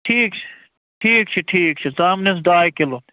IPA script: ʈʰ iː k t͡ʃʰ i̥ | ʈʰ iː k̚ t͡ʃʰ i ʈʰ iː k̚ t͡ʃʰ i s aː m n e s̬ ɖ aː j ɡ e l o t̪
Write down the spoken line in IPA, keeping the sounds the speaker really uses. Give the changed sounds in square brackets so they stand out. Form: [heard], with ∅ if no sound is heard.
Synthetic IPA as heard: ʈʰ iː k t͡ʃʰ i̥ | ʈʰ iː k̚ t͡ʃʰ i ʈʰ iː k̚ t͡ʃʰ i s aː m n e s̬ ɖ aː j [k] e l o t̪

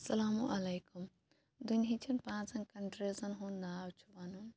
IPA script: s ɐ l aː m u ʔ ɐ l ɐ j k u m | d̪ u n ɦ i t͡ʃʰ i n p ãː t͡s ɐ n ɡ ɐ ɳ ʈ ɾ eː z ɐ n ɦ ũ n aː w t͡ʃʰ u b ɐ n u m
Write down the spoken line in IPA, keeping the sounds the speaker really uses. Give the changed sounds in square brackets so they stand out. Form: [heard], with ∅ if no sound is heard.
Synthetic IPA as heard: s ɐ l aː m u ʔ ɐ l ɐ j k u m | d̪ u n ɦ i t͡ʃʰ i n p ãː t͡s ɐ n [k] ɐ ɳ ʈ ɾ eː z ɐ n ɦ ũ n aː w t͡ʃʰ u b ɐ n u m

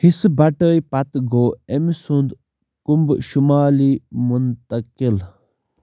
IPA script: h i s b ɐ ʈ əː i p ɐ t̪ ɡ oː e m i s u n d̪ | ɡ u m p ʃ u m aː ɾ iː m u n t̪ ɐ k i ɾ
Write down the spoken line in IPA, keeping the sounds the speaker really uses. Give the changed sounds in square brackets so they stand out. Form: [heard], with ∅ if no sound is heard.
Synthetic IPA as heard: h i s b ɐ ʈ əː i p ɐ t̪ ɡ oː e m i s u n d̪ | [k] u m [b] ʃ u m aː [l] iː m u n t̪ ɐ k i [l]

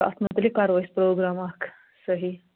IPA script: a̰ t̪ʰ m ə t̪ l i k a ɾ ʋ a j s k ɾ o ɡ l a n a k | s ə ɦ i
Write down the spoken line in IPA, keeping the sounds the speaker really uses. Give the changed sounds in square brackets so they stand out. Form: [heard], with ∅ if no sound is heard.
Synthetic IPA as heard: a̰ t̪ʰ m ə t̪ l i k a ɾ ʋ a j s [p] ɾ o ɡ [ɾ] a [m] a k | s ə ɦ i

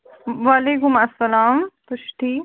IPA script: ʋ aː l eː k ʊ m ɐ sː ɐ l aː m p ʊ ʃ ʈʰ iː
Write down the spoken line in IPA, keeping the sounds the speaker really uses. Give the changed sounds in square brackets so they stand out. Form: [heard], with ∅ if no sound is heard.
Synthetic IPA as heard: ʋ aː l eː k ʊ m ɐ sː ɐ l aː m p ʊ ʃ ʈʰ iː

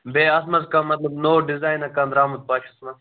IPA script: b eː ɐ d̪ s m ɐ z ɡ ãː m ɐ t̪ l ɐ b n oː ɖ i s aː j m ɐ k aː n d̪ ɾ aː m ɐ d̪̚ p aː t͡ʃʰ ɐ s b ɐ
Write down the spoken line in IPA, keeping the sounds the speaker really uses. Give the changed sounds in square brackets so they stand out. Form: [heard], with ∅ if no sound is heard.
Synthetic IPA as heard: b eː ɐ [∅] s m ɐ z [k] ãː m ɐ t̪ l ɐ b n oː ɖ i [z] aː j [n] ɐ k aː n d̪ ɾ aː m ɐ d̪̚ p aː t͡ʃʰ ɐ s [m] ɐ

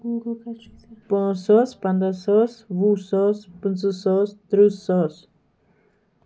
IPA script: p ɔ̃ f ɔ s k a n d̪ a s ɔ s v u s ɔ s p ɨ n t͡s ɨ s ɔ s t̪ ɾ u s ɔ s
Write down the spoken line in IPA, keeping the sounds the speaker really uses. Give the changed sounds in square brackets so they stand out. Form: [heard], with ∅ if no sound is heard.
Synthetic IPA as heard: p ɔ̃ [s] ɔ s [p] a n d̪ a s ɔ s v u s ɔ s p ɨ n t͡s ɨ s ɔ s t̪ ɾ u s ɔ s

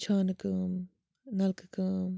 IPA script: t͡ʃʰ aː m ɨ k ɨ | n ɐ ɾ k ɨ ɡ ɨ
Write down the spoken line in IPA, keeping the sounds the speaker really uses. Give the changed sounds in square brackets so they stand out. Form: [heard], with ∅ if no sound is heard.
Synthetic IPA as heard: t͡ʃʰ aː [n] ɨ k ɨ | n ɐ [l] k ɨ [k] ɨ

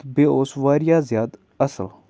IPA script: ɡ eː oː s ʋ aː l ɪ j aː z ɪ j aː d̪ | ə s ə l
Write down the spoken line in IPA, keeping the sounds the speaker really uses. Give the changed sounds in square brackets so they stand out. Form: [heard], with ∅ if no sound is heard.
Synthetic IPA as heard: [b] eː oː s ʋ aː [ɾ] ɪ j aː z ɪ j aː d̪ | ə s ə l

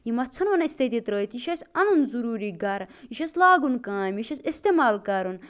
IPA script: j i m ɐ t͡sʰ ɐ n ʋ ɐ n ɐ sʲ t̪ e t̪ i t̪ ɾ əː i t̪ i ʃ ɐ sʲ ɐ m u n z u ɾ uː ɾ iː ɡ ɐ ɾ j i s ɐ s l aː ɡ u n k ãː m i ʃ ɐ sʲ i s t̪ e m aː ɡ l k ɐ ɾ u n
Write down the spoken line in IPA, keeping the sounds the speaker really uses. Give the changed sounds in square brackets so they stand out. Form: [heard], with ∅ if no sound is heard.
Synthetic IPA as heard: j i m ɐ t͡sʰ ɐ n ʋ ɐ n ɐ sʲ t̪ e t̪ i t̪ ɾ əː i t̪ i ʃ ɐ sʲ ɐ [n] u n z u ɾ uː ɾ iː ɡ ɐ ɾ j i [ʃ] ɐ s l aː ɡ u n k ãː m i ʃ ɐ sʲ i s t̪ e m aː [∅] l k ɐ ɾ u n

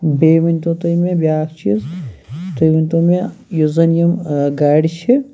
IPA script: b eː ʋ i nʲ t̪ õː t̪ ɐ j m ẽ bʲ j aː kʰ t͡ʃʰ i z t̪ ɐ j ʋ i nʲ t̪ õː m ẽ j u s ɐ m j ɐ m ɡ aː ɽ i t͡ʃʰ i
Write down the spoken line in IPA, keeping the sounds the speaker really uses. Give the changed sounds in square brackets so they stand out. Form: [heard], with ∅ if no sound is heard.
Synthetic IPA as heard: b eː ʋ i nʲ t̪ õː t̪ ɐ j m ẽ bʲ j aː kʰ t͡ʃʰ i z t̪ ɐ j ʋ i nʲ t̪ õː m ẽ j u [z] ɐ [n] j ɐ m ɡ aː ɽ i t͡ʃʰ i

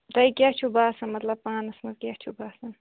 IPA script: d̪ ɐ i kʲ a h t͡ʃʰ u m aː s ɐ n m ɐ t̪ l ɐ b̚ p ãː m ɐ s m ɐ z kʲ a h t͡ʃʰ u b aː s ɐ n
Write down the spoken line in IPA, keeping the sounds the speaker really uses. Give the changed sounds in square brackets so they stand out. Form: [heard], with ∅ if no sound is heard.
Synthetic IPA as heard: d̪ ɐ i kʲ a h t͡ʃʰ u [b] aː s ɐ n m ɐ t̪ l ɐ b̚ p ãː [n] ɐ s m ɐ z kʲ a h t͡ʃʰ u b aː s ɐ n

